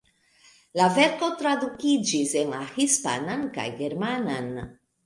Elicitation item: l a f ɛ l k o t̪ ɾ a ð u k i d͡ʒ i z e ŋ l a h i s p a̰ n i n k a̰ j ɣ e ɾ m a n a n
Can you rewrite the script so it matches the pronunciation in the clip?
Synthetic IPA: l a v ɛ ɾ k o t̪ ɾ a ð u k i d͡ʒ i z e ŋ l a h i s p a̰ n a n k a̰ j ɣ e ɾ m a n a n

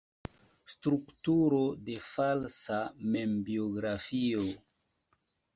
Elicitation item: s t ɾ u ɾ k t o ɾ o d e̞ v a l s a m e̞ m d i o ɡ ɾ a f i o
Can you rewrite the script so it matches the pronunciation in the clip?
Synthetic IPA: s t ɾ u k t u ɾ o d e̞ f a l s a m e̞ m b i o ɡ ɾ a f i o

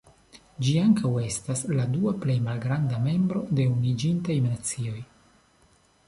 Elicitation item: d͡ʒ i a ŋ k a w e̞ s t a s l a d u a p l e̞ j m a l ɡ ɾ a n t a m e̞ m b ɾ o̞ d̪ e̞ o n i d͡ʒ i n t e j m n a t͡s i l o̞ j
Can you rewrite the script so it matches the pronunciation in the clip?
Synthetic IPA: d͡ʒ i a ŋ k a w e̞ s t a s l a d u a p l e̞ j m a l ɡ ɾ a n d a m e̞ m b ɾ o̞ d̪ e̞ u n i d͡ʒ i n t a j m n a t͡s i o̞ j

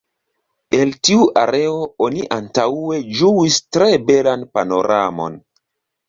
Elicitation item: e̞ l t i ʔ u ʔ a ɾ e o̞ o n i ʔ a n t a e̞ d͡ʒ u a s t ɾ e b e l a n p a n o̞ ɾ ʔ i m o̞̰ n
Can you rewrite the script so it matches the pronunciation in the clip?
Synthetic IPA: e̞ l t i u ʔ a ɾ e o̞ o n i ʔ a n t a e̞ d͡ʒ u i s t ɾ e b e l a n p a n o̞ ɾ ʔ a m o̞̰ n

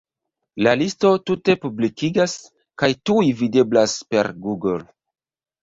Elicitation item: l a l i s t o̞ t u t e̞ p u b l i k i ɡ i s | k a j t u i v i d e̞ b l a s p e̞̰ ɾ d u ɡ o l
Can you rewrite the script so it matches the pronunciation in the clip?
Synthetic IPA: l a l i s t o̞ t u t e̞ p u b l i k i ɡ a s | k a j t u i v i d e̞ b l a s p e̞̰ ɾ ɡ u ɡ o l

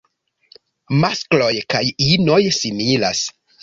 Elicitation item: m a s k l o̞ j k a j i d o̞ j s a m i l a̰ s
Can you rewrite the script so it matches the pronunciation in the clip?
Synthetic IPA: m a s k l o̞ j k a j i n o̞ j s i m i l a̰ s

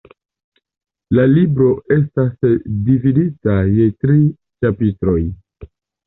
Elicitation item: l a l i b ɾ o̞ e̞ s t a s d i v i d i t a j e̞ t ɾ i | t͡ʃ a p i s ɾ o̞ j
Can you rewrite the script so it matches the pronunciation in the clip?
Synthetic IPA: l a l i b ɾ o̞ e̞ s t a s d i v i d i t a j e̞ t ɾ i | t͡ʃ a p i t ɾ o̞ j

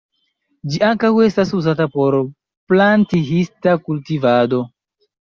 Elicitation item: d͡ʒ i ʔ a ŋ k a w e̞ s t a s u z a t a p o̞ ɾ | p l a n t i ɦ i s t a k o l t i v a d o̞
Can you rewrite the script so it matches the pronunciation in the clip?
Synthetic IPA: d͡ʒ i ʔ a ŋ k a w e̞ s t a s u z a t a p o̞ ɾ | p l a n t i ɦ i s t a k u l t i v a d o̞

